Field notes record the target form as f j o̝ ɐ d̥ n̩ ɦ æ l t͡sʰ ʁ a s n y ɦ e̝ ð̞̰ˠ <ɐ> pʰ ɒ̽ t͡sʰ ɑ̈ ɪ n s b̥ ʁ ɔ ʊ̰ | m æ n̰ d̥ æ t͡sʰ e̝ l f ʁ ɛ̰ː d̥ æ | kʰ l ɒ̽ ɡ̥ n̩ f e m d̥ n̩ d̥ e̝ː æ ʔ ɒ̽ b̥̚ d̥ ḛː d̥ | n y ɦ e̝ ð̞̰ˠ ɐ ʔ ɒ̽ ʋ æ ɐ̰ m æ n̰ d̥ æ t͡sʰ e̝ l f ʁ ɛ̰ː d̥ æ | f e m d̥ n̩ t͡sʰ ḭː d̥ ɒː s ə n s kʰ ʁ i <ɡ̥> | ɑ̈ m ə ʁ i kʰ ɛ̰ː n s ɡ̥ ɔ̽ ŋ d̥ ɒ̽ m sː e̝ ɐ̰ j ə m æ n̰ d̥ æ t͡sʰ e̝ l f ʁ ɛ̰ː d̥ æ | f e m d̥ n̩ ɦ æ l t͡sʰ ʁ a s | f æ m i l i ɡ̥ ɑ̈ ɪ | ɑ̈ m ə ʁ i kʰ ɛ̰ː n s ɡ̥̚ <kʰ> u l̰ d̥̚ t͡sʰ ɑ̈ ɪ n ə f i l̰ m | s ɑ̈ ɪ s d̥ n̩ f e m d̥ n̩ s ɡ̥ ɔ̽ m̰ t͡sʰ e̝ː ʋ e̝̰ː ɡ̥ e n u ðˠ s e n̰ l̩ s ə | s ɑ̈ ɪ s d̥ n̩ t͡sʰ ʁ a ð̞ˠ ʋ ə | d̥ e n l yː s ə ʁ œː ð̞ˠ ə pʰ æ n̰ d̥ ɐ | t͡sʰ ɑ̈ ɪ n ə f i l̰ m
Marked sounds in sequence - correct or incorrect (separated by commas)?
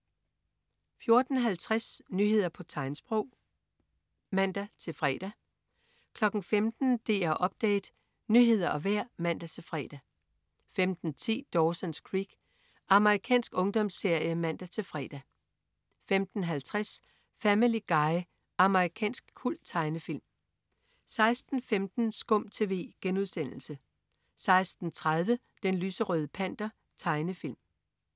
correct, correct, correct